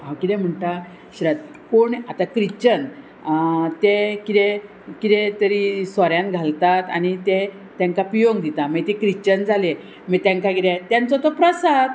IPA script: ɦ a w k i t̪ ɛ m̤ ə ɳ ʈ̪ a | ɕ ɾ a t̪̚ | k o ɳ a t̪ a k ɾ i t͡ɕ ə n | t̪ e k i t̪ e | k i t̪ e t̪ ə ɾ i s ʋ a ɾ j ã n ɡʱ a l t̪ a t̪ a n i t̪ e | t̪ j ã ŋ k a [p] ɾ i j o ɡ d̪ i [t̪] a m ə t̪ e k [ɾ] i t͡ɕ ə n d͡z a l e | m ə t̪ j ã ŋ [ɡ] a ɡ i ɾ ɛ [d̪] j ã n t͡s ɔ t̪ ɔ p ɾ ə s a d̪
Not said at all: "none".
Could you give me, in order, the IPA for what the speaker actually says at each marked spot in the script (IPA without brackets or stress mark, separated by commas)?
p, t̪, ɾ, k, t̪